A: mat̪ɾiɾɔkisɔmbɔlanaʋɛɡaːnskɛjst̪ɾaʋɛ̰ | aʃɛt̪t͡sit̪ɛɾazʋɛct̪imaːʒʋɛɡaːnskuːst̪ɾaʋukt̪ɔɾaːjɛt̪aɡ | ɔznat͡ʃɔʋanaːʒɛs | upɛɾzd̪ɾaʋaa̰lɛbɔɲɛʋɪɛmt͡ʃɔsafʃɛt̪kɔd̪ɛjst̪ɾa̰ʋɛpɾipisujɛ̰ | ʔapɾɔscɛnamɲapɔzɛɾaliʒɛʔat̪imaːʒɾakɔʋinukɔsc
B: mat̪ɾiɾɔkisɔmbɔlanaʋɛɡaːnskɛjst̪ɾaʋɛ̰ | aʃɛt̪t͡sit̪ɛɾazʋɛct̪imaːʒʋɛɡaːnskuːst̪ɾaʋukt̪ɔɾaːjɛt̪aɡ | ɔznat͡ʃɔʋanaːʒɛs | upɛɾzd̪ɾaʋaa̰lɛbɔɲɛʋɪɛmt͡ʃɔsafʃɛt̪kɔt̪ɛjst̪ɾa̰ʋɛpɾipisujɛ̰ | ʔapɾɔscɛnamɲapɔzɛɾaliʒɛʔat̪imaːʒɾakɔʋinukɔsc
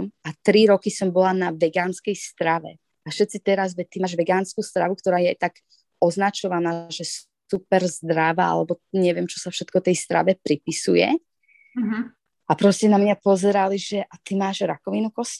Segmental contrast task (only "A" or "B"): B